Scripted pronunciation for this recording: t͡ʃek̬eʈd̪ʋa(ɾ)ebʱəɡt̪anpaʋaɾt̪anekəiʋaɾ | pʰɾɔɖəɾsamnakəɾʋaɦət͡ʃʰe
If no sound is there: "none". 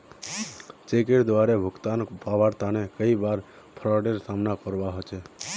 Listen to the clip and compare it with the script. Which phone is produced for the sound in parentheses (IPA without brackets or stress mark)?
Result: ɾ